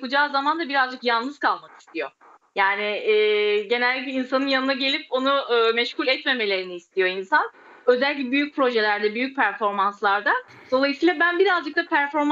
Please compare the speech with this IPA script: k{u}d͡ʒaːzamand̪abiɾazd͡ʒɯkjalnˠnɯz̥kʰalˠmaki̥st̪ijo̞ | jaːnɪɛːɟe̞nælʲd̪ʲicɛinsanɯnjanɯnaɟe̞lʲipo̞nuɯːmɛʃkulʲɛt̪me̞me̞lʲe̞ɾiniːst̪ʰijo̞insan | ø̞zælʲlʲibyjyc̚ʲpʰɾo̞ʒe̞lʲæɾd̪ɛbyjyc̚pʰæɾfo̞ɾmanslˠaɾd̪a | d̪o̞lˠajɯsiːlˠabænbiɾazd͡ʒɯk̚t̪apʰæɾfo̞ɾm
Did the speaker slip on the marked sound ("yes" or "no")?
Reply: no